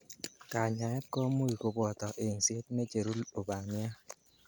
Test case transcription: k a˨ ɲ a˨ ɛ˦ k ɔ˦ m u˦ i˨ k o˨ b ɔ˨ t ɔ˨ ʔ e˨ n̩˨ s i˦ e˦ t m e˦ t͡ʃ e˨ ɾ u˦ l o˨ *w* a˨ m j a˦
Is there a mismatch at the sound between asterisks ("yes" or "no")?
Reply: yes